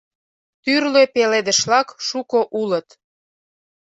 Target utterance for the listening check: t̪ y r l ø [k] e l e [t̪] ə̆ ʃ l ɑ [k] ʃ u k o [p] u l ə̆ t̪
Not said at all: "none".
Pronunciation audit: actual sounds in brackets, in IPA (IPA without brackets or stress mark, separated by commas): p, d̪, k, ʔ